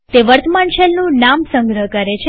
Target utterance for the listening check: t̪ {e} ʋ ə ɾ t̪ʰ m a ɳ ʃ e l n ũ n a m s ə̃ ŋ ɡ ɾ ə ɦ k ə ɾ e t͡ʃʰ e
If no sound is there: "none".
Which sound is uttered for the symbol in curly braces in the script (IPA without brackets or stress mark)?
e